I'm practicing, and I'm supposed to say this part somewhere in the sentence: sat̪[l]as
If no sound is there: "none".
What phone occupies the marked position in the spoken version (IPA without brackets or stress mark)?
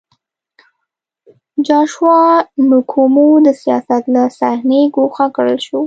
l